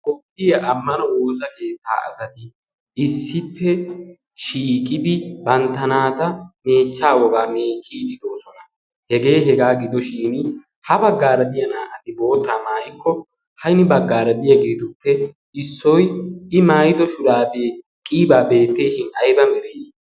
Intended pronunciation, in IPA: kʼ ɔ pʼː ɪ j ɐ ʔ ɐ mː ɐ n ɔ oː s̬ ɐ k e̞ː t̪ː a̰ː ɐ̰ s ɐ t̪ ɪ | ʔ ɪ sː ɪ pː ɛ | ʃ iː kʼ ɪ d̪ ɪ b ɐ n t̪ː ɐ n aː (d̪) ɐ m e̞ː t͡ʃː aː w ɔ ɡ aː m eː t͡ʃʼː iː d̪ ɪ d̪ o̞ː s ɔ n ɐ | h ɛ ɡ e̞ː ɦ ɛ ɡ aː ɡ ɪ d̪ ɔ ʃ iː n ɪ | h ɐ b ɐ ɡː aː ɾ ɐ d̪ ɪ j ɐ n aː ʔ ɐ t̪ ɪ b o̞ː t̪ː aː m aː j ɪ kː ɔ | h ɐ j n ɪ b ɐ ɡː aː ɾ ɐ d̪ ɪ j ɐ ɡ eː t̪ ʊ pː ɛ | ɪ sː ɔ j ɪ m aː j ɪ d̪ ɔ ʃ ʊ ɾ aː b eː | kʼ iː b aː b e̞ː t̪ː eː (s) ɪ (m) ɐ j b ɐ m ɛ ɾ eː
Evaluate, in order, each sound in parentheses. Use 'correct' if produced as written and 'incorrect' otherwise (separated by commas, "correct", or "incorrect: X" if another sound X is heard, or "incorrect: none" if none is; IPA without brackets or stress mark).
incorrect: t̪, incorrect: ʃ, incorrect: n